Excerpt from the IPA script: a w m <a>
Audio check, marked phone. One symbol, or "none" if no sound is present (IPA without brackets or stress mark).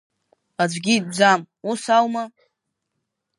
a